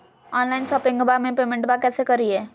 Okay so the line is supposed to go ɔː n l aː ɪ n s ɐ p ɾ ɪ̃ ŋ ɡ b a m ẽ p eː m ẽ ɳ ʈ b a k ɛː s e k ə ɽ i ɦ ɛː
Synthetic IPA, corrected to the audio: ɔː n l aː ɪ n s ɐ p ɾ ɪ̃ ŋ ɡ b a m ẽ p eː m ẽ ɳ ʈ b a k ɛː s e k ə ɾ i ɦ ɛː

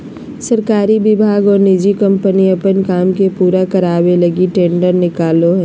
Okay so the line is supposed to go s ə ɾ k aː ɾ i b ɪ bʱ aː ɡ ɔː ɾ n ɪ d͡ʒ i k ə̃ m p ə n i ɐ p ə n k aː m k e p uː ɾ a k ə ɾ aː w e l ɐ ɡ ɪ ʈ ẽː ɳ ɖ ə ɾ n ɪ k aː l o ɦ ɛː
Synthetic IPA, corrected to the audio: s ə ɾ k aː ɾ i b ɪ bʱ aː ɡ ɔː ɾ n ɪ d͡ʒ i k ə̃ m p ə n i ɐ p ə n k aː m k e p uː ɾ a k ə ɾ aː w e l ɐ ɡ i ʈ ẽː ɳ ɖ ə ɾ n ɪ k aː l o ɦ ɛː

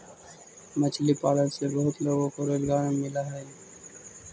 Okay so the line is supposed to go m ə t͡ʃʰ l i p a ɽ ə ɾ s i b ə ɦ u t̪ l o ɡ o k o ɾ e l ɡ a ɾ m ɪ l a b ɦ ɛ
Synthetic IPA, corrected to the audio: m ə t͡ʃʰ l i p a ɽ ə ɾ s e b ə ɦ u t̪ l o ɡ o k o ɾ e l ɡ a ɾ m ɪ l a ɦ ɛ

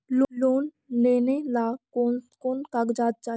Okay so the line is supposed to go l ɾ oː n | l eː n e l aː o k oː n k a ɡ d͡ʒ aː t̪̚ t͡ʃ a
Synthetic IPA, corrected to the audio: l l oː n | l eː n e l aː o k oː n k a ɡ d͡ʒ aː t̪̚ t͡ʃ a

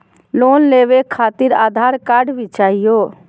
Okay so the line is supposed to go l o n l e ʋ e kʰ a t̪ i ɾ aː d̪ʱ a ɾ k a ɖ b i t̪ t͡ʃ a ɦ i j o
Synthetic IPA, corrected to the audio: l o n l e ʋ e kʰ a t̪ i ɾ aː d̪ʱ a ɾ k a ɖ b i t͡ʃ a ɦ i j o

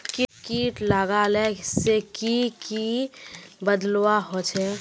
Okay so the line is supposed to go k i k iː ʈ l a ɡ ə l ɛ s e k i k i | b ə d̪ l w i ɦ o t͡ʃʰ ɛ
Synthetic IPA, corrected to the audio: k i k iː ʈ l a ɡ a l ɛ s e k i k i | b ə d̪ l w a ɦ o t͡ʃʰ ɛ

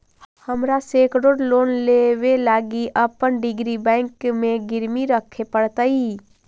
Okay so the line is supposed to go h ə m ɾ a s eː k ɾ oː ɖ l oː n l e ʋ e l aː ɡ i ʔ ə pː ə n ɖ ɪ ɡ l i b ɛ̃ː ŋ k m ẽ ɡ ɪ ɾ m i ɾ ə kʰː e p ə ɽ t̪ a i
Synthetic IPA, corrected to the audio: h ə m ɾ a s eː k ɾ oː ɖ l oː n l e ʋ e l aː ɡ i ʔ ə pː ə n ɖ ɪ ɡ ɾ i b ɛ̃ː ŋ k m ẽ ɡ ɪ ɾ m i ɾ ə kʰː e p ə ɽ t̪ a i

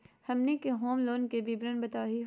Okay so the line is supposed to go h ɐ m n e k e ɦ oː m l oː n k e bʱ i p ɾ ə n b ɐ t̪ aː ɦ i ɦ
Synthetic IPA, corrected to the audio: h ɐ m n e k e ɦ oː m l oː n k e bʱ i b ɾ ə n b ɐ t̪ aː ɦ i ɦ

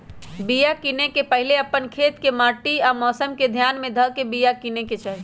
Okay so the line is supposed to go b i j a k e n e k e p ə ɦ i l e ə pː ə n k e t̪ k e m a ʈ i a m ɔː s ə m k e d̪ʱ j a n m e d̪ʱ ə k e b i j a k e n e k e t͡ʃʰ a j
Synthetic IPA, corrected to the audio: b i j a k i n e k e p ə ɦ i l e ə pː ə n kʰ e t̪ k e m a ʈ i a m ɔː s ə m k e d̪ʱ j a n m e d̪ʱ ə k e b i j a k i n e k e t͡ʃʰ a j

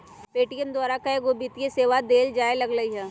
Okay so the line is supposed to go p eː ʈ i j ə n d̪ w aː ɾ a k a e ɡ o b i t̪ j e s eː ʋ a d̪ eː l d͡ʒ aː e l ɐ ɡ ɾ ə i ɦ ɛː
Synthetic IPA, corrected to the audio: p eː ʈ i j ə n d̪ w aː ɾ a k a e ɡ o b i t̪ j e s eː ʋ a d̪ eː l d͡ʒ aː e l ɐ ɡ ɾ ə i ɦ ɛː

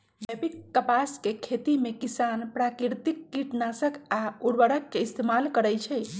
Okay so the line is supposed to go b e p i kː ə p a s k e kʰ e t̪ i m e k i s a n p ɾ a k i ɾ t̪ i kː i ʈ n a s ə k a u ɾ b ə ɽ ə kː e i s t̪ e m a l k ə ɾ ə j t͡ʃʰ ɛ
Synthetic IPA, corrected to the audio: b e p i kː ə p a s k e kʰ e t̪ i m e k i s a n p ɾ a k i ɾ t̪ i kː i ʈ n a s ə k a u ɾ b ə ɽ ə kː e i s t̪ e m a l k ə ɾ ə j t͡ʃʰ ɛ

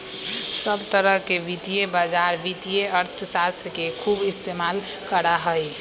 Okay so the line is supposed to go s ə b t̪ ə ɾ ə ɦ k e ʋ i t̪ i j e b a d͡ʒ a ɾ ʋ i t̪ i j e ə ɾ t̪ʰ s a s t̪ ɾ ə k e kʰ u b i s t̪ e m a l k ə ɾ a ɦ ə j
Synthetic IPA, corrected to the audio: s ə b t̪ ə ɾ ə ɦ k e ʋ i t̪ i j e b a d͡ʒ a ɾ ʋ i t̪ i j e ə ɾ t̪ʰ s a s t̪ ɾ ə k e kʰ u b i s t̪ e m a l k ə ɾ a ɦ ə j

